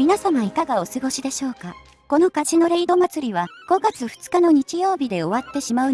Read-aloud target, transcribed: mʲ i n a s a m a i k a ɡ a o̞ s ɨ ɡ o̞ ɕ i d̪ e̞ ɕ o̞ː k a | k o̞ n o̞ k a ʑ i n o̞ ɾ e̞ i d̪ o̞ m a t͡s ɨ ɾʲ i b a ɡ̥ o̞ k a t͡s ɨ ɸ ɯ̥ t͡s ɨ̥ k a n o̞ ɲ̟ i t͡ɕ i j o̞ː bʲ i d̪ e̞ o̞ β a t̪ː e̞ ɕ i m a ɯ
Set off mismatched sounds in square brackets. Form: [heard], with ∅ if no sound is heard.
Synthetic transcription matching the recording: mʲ i n a s a m a i k a ɡ a o̞ s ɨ ɡ o̞ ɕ i d̪ e̞ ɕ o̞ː k a | k o̞ n o̞ k a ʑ i n o̞ ɾ e̞ i d̪ o̞ m a t͡s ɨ ɾʲ i [β] a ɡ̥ o̞ [ɡ] a t͡s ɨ ɸ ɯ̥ t͡s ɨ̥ k a n o̞ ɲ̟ i t͡ɕ i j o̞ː bʲ i d̪ e̞ o̞ β a t̪ː e̞ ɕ i m a ɯ